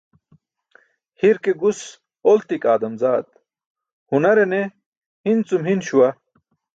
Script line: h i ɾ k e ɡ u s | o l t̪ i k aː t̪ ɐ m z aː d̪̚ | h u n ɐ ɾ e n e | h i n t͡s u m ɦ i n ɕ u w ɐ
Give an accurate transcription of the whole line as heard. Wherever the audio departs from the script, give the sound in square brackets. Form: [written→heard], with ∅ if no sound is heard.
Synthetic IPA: h i ɾ k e ɡ u s | o l t̪ i k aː [t̪→d̪] ɐ m z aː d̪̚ | h u n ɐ ɾ e n e | h i n t͡s u m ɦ i n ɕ u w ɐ